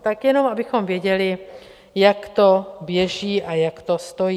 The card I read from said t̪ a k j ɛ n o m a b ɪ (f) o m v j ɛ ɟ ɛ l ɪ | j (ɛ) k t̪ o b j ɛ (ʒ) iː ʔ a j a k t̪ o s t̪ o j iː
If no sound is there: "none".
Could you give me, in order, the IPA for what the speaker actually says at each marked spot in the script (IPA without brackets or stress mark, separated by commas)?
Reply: x, a, ʒ